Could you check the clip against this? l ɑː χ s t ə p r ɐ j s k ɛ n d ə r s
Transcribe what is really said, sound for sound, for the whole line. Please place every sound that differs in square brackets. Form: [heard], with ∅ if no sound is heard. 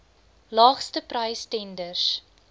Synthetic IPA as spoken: l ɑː χ s t ə p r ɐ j s [t] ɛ n d ə r s